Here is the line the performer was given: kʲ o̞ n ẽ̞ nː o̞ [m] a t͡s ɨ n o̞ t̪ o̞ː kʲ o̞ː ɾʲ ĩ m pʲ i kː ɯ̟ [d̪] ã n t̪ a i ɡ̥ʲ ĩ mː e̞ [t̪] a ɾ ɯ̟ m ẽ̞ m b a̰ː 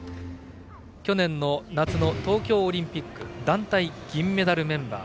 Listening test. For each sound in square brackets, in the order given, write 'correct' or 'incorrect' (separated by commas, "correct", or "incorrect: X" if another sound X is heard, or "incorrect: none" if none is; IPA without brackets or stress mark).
incorrect: n, correct, incorrect: d̪